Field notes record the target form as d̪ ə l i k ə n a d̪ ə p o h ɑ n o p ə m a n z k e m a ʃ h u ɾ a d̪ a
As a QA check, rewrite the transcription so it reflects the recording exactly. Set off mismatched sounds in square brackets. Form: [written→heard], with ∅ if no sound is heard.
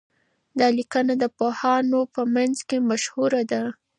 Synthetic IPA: d̪ [ə→ɑ] l i k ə n a d̪ ə p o h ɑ n o p ə m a n z k e m a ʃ h u ɾ a d̪ a